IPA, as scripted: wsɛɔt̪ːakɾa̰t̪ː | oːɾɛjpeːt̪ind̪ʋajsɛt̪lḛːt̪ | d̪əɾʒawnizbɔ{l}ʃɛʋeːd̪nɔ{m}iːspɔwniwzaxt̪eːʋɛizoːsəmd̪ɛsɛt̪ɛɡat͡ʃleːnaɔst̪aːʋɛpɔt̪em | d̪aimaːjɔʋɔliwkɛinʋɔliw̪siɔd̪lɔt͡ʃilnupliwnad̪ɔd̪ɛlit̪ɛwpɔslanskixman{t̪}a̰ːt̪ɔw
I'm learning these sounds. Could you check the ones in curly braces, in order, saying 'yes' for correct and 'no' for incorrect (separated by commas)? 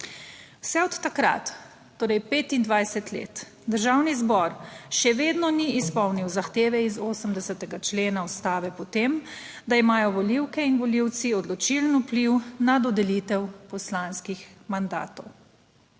no, no, no